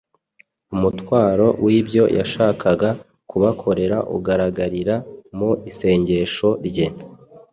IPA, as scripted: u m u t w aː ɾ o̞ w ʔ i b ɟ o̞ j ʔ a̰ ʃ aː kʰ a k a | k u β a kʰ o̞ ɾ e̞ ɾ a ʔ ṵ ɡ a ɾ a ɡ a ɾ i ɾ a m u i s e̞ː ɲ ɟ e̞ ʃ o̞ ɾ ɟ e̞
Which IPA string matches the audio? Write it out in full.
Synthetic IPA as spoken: u m u t w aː ɾ o̞ w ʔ i b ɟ o̞ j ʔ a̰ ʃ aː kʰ a ɡ a | k u β a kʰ o̞ ɾ e̞ ɾ a ʔ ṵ ɡ a ɾ a ɡ a ɾ i ɾ a m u i s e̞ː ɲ ɟ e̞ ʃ o̞ ɾ ɟ e̞